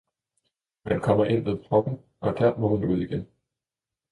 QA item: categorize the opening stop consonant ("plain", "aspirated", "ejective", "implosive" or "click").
aspirated